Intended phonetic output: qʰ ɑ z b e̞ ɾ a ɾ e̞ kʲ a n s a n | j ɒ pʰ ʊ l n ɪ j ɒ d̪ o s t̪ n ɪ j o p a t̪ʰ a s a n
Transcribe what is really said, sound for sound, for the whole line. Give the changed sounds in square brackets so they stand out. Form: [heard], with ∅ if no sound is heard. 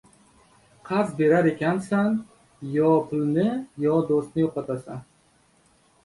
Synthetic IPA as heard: qʰ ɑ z b e̞ ɾ a ɾ e̞ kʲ a n s a n | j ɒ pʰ ʊ l n ɪ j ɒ d̪ o s t̪ n ɪ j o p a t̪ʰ a s a n